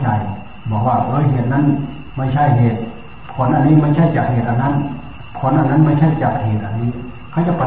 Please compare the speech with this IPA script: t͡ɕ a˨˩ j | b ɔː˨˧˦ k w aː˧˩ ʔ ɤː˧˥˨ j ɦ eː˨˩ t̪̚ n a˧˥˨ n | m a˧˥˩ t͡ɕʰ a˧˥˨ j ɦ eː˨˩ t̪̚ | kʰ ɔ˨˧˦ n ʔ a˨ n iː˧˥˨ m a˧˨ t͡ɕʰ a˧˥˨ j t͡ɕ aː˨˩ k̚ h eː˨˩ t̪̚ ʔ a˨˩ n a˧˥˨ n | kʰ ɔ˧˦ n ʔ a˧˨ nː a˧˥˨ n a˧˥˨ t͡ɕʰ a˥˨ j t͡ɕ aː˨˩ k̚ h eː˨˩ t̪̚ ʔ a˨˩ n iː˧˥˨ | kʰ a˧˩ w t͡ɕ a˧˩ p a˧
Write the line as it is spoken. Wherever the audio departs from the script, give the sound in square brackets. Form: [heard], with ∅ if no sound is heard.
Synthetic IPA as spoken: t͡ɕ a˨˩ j | b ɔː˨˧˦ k w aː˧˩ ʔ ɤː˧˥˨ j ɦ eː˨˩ t̪̚ n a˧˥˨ n | m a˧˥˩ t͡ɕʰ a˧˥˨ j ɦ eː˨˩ t̪̚ | [pʰ] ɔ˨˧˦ n ʔ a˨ n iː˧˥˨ m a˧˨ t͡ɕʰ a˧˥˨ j t͡ɕ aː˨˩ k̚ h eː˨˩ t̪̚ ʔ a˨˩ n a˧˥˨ n | [pʰ] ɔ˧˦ n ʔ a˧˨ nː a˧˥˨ [m] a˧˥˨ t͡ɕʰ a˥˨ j t͡ɕ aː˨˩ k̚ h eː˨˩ t̪̚ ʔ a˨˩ n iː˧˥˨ | kʰ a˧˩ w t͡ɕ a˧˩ p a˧